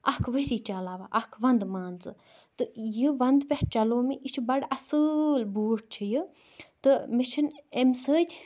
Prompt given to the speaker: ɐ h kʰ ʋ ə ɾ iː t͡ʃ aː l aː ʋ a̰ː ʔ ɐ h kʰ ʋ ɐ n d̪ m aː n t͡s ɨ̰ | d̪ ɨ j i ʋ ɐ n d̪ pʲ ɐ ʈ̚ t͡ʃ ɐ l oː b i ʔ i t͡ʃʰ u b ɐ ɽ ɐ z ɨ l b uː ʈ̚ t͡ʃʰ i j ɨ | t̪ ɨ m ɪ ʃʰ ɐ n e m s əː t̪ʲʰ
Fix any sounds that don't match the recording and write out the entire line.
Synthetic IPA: ɐ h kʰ ʋ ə ɾ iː t͡ʃ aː l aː ʋ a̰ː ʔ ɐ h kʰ ʋ ɐ n d̪ m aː n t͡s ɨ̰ | t̪ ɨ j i ʋ ɐ n d̪ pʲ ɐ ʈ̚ t͡ʃ ɐ l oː m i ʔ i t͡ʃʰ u b ɐ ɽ ɐ s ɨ l b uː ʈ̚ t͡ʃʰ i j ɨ | t̪ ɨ m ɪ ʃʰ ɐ n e m s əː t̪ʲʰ